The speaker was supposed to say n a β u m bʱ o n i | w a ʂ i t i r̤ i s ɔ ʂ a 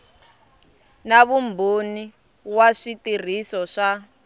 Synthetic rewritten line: n a β u m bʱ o n i | w a ʂ i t i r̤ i s ɔ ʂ a

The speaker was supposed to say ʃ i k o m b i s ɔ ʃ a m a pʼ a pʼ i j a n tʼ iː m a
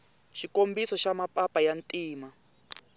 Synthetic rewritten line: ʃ i k o m b i s ɔ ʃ a m a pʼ a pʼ a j a n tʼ iː m a

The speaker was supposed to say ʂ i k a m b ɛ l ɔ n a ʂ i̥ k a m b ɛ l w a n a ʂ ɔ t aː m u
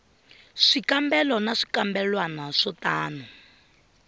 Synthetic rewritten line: ʂ i k a m b ɛ l ɔ n a ʂ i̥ k a m b ɛ l w a n a ʂ ɔ t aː n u

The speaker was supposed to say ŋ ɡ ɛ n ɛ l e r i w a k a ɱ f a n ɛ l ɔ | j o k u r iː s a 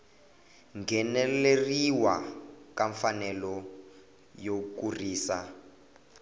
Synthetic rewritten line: ŋ ɡ ɛ n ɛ l e r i w a k a ɱ f a n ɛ l ɔ | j o k u r iː s a

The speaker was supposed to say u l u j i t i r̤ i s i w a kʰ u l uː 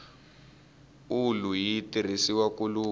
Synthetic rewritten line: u l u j i t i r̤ i s i w a k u l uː

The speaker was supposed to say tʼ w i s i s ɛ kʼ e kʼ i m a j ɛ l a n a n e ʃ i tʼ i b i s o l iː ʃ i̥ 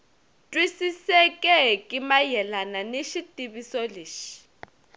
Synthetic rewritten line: tʼ w i s i s ɛ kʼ ɛ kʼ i m a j ɛ l a n a n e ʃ i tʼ i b i s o l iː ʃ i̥

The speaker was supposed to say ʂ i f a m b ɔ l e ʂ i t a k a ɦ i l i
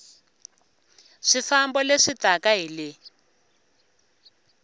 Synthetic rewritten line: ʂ i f a m b ɔ l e ʂ i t a k a ɦ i l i

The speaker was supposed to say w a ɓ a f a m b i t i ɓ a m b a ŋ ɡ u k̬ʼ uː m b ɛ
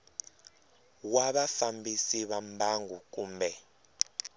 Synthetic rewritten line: w a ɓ a f a m b i s i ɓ a m b a ŋ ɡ u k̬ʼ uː m b ɛ

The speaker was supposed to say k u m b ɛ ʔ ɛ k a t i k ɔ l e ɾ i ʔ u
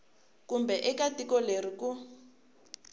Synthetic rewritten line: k u m b ɛ ʔ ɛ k a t i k ɔ l e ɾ i k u

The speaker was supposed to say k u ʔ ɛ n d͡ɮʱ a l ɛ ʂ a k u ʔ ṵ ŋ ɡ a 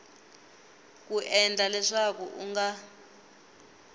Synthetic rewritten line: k u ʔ ɛ n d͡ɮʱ a l ɛ ʂ a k u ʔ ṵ ŋ ɡ a

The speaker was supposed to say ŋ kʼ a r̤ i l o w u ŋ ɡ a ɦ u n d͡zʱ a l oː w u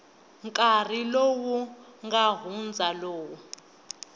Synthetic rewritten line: ŋ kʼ a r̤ i l o w u ŋ ɡ a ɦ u n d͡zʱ a l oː w u

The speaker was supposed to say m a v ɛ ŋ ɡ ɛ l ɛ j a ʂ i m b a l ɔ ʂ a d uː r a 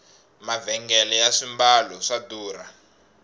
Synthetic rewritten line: m a v ɛ ŋ ɡ ɛ l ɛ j a ʂ i m b a l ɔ ʂ a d uː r a

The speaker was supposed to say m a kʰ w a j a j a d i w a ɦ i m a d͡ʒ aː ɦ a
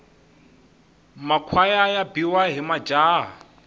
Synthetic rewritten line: m a kʰ w a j a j a b i w a ɦ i m a d͡ʒ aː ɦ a

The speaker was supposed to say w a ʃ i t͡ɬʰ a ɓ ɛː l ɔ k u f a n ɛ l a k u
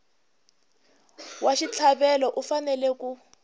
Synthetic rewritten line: w a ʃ i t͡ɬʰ a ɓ ɛ l ɔ ʔ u f a n ɛ l ɛ k u

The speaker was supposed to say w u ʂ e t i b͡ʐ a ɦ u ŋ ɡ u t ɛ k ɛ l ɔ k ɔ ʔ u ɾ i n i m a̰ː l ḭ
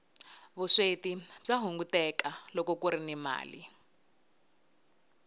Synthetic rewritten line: β u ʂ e t i b͡ʐ a ɦ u ŋ ɡ u t ɛ k a l ɔ k ɔ k u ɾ i n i m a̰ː l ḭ

